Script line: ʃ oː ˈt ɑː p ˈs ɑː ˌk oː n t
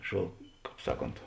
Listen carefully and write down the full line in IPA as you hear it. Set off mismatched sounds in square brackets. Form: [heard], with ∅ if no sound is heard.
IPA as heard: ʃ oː [ˈk] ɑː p ˈs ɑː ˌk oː n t